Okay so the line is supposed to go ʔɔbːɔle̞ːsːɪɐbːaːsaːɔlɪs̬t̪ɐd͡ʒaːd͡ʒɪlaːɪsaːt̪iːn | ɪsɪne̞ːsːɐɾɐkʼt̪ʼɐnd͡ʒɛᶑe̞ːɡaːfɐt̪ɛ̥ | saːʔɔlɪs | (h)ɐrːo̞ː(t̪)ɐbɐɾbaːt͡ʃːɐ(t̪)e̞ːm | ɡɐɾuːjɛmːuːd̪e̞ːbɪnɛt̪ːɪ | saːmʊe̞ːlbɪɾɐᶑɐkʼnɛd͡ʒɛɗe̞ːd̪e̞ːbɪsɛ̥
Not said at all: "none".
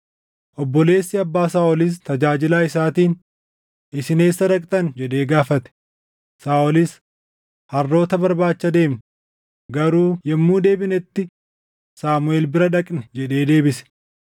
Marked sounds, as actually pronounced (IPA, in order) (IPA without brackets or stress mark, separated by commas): h, t̪, d̪